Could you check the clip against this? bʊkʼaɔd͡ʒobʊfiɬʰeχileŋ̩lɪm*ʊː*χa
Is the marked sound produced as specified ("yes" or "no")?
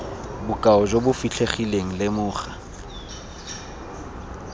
yes